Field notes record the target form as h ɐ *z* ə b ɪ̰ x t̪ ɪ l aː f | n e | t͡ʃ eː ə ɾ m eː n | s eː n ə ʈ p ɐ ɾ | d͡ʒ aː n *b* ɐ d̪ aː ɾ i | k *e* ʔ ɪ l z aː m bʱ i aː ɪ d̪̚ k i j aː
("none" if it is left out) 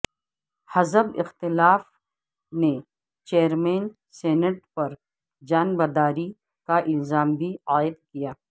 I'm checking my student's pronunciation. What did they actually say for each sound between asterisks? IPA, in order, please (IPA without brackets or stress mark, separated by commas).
z, b, a